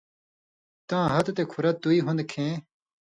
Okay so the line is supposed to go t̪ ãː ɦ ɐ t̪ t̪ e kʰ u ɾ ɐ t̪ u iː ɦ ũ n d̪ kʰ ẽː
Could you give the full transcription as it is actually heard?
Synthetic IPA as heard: t̪ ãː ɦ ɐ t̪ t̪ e kʰ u ɾ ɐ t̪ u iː ɦ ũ n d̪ kʰ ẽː